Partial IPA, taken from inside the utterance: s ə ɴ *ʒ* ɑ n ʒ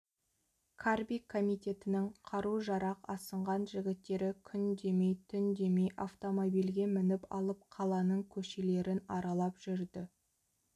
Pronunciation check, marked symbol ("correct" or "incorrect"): incorrect